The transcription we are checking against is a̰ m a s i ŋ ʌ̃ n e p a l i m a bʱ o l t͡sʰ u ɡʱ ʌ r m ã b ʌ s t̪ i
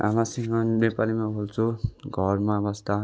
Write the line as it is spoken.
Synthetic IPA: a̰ m a s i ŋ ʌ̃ n e p a l i m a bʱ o l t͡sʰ u ɡʱ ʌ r m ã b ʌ s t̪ a